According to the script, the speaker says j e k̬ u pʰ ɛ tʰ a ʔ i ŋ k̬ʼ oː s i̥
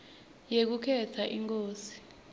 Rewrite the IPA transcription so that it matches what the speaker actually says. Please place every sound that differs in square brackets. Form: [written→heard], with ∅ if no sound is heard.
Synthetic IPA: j e k̬ u [pʰ→kʰ] ɛ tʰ a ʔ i ŋ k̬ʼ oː s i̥